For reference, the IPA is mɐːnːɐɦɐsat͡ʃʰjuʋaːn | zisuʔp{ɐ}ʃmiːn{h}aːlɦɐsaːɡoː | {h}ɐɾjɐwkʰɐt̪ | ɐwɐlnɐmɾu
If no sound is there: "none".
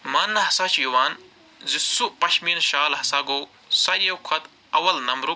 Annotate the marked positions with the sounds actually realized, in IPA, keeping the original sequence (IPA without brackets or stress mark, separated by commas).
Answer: ɐ, ʃ, s